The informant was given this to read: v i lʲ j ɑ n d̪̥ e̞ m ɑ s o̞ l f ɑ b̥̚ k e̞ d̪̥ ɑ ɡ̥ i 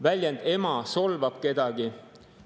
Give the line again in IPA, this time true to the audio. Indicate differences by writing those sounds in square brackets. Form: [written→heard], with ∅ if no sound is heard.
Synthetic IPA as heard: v [i→æ] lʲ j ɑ n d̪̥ e̞ m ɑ s o̞ l [f→v] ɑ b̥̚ k e̞ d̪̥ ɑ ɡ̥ i